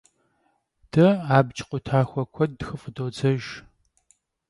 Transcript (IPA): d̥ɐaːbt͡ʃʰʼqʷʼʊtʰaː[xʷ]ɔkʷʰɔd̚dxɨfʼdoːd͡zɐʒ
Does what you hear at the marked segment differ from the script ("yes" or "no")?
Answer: no